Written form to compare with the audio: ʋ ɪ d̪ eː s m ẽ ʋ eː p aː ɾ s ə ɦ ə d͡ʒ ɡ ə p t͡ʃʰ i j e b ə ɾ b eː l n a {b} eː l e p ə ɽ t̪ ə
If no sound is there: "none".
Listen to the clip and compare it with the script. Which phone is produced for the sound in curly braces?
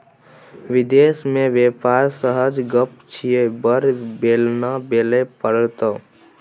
b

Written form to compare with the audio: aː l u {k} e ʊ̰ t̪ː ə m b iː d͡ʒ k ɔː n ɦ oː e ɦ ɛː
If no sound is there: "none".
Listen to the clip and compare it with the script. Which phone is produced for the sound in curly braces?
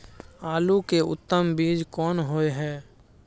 k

